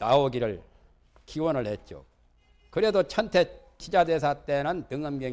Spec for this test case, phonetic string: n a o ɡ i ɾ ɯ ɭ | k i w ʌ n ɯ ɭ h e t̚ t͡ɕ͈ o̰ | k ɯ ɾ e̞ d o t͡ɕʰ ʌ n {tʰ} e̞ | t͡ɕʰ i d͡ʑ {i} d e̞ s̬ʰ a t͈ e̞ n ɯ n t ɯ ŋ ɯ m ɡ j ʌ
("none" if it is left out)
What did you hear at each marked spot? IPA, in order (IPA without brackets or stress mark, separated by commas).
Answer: tʰ, a